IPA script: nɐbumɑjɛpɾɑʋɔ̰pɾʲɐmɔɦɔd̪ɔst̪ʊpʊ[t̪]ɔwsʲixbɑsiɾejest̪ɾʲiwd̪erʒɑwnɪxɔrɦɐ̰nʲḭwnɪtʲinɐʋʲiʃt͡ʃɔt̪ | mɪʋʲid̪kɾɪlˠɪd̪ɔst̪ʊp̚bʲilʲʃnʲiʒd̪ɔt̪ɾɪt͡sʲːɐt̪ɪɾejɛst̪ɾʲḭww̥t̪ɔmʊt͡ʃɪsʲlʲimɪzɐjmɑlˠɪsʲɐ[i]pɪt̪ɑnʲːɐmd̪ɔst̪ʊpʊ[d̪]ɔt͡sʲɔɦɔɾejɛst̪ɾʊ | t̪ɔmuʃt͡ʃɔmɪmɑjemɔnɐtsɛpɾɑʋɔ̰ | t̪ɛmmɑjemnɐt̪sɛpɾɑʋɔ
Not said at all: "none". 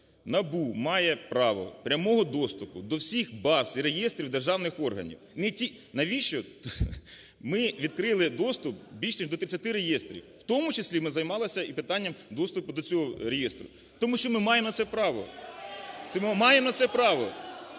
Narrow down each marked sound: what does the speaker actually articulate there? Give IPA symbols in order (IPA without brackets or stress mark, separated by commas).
d̪, i, d̪